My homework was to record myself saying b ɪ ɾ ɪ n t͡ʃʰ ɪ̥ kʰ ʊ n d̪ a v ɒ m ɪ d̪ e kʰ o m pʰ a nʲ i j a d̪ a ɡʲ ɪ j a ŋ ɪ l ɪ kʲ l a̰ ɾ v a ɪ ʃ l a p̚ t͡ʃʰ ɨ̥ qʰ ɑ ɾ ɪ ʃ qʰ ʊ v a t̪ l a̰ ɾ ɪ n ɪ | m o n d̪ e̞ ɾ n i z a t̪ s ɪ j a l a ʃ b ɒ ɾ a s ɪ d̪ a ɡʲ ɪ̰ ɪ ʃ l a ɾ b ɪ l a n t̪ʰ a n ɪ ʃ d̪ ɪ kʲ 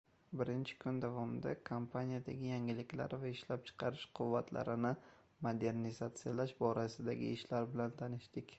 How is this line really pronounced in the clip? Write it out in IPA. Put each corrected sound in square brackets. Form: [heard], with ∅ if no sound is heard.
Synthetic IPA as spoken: b ɪ ɾ ɪ n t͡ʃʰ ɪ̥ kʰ ʊ n d̪ a v ɒ m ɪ d̪ [a] kʰ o m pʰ a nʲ i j a d̪ a ɡʲ ɪ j a ŋ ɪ l ɪ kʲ l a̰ ɾ v a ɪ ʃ l a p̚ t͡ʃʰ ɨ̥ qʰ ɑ ɾ ɪ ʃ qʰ ʊ [vː] a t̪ l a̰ ɾ ɪ n ɪ | m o [∅] d̪ e̞ ɾ n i z a t̪ s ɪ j a l a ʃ b ɒ ɾ a s ɪ d̪ a ɡʲ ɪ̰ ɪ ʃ l a ɾ b ɪ l a n t̪ʰ a n ɪ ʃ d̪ ɪ kʲ